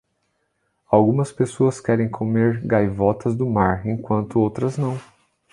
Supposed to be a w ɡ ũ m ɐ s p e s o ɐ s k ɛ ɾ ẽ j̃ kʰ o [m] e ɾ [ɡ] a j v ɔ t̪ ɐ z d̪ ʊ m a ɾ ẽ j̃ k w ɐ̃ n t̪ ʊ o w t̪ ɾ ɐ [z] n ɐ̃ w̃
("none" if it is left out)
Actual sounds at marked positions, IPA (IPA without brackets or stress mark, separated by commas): m, ɡ, z